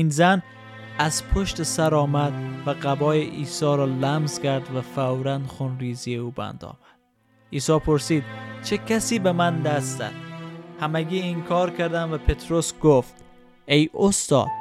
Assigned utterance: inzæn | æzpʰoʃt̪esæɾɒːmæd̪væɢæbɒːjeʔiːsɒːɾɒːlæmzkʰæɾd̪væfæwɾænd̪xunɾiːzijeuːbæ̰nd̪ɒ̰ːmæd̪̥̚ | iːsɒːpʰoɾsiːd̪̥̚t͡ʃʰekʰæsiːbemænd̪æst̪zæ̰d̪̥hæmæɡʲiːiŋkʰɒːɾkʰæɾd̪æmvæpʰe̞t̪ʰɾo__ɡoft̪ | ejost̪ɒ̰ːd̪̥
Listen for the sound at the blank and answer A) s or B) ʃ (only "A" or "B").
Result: A